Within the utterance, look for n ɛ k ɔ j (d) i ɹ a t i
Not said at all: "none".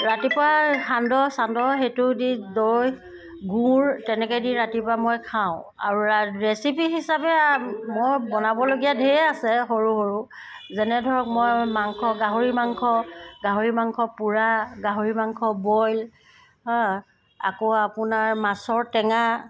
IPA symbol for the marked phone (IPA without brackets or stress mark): d